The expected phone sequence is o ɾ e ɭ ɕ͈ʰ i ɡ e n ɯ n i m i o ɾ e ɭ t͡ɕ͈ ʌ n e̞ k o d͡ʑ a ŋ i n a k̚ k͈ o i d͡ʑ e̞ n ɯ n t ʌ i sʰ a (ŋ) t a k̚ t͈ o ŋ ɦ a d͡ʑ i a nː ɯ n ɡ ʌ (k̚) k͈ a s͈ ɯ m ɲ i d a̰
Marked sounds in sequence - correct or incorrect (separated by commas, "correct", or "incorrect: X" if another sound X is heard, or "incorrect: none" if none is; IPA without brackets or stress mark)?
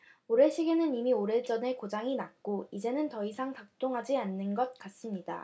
correct, incorrect: t̚